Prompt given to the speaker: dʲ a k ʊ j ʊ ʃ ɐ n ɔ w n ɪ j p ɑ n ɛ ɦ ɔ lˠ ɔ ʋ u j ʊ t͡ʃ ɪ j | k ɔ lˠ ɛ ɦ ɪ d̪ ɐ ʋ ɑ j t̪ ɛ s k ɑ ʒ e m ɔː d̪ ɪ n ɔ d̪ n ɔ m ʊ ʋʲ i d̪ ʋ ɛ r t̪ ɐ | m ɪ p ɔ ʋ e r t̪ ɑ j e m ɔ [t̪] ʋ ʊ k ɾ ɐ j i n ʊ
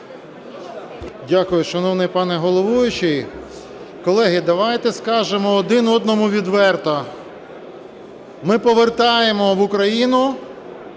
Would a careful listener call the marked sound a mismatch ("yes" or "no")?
yes